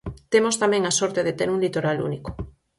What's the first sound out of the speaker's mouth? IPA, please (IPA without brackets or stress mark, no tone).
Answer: t̪